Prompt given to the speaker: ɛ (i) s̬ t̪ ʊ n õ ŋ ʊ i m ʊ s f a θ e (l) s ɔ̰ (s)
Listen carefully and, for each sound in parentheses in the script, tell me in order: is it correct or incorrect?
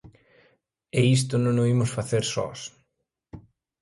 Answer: correct, incorrect, correct

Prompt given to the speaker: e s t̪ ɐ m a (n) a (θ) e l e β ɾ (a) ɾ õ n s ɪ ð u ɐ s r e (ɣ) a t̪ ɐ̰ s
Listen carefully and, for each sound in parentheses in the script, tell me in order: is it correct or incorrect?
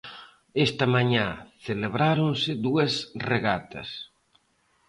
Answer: incorrect, correct, correct, correct

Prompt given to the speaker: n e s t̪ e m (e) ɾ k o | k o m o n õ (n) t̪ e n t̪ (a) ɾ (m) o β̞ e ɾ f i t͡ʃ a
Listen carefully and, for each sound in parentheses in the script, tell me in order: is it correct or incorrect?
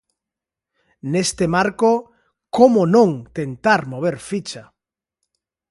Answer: incorrect, incorrect, correct, correct

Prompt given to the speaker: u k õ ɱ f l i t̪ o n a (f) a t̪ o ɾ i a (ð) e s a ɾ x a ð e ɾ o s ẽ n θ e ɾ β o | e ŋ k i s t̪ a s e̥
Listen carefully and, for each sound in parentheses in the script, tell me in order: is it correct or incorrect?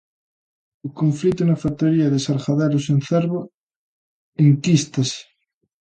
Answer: correct, correct

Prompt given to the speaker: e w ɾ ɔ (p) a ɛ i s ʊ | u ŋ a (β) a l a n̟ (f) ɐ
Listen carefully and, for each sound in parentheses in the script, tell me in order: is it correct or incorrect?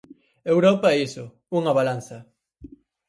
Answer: correct, correct, incorrect

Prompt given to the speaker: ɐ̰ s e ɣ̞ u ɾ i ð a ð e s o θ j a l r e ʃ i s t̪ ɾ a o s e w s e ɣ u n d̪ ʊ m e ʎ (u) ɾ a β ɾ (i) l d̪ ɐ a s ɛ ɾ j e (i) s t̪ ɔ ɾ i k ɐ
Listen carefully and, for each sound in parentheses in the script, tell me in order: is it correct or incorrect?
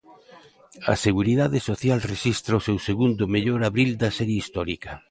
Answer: incorrect, correct, correct

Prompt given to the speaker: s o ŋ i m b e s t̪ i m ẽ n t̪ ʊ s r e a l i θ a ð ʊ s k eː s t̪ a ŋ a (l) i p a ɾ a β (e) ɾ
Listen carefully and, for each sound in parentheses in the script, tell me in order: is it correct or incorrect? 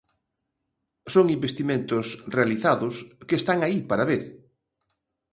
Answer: incorrect, correct

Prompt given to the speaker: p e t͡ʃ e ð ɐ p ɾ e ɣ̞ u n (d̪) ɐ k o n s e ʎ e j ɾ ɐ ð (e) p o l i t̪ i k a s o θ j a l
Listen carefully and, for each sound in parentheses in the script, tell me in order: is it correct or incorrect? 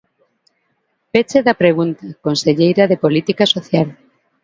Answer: incorrect, correct

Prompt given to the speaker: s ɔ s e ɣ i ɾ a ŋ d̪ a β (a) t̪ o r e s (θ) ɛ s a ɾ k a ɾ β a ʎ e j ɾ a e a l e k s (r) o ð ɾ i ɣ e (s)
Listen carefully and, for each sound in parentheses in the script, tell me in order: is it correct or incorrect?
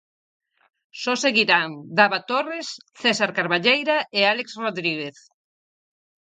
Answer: correct, correct, correct, incorrect

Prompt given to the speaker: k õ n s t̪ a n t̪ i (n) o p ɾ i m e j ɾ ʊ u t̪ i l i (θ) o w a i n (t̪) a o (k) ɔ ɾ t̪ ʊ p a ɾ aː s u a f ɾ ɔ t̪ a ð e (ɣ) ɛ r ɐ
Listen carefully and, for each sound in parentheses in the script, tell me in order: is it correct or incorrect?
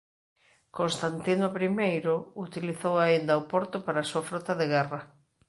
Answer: correct, correct, incorrect, incorrect, correct

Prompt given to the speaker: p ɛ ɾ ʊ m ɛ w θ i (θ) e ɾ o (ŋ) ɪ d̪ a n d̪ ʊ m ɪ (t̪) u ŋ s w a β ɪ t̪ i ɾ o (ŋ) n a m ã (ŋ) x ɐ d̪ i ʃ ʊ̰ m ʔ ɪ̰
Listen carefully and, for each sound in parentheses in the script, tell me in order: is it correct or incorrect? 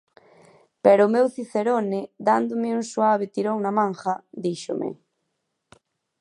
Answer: correct, incorrect, incorrect, correct, correct

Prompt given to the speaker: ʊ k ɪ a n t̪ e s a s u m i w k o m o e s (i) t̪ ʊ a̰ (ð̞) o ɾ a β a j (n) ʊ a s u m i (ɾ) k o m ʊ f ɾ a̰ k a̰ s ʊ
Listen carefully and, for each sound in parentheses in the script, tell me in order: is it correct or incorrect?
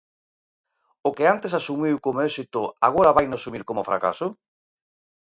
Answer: correct, incorrect, correct, correct

